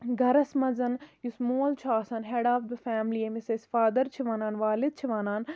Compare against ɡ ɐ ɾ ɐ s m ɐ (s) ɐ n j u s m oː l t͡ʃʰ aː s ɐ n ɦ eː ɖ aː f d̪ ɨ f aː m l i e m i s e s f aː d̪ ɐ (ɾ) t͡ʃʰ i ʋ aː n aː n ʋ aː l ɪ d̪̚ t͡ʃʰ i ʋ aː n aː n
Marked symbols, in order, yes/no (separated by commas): no, yes